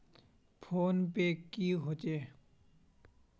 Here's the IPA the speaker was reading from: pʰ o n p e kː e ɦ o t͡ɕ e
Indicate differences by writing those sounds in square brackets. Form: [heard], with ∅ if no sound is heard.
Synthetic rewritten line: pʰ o n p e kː [i] ɦ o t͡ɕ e